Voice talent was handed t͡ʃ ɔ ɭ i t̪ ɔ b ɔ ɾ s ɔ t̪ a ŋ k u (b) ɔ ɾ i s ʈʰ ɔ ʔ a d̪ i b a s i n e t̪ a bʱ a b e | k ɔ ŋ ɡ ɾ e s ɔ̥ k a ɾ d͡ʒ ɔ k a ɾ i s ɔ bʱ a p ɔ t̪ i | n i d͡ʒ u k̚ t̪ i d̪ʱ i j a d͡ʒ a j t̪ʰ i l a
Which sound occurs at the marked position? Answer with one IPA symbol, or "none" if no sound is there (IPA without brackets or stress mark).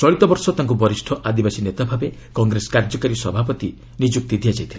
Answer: b